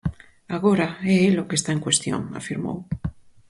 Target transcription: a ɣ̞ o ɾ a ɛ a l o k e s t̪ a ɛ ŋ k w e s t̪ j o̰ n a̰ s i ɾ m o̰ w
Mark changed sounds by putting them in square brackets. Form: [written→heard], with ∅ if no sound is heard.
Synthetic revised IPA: a ɣ̞ o ɾ a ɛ [a→e] l o k e s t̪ a [ɛ→e] ŋ k w e s t̪ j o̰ [n→ŋ] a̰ [s→f] i ɾ m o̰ w